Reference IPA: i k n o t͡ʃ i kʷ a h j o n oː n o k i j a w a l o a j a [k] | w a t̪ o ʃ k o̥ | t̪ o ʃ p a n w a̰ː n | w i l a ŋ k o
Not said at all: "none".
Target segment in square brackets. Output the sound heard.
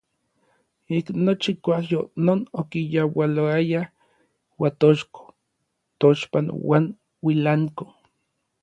none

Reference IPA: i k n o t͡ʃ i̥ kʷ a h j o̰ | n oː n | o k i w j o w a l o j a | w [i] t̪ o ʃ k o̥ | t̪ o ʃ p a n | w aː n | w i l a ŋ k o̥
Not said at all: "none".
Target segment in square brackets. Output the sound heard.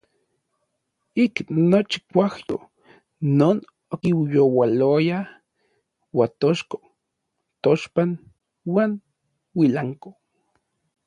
a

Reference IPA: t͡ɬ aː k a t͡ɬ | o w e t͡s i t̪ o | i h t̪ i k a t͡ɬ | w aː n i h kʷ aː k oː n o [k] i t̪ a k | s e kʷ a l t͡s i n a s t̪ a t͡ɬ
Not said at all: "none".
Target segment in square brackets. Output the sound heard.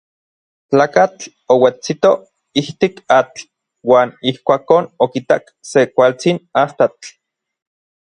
k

